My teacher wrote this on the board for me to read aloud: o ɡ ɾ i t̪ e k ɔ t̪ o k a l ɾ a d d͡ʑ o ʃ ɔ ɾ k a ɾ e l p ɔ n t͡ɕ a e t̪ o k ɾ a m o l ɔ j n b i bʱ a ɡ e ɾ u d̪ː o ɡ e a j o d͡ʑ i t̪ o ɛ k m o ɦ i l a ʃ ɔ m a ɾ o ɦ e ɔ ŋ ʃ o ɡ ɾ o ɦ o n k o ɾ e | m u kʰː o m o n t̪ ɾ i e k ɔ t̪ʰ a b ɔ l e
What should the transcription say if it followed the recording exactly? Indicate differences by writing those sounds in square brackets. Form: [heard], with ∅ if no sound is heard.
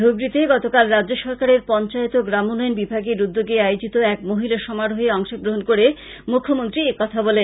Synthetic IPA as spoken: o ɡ ɾ i t̪ e [ɡ] ɔ t̪ o k a l ɾ a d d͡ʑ o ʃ ɔ ɾ k a ɾ e [ɾ] p ɔ n t͡ɕ a e t̪ o [ɡ] ɾ a m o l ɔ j n b i bʱ a ɡ e ɾ u d̪ː o ɡ e a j o d͡ʑ i t̪ o ɛ k m o ɦ i l a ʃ ɔ m a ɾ o ɦ e ɔ ŋ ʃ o ɡ ɾ o ɦ o n k o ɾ e | m u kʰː o m o n t̪ ɾ i e k ɔ t̪ʰ a b ɔ l e